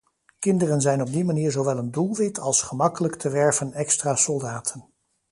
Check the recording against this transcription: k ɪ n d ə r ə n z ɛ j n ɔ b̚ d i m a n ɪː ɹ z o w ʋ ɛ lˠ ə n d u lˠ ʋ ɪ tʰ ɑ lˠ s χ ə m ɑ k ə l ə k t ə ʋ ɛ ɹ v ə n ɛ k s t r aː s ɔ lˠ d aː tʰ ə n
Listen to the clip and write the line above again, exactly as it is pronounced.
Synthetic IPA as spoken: k ɪ n d ə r ə n z ɛ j n ɔ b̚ d i m a n iː ɹ z o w ʋ ɛ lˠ ə n d u lˠ ʋ ɪ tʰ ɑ lˠ s χ ə m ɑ k ə l ə k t ə ʋ ɛ ɹ v ə n ɛ k s t r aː s ɔ lˠ d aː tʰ ə n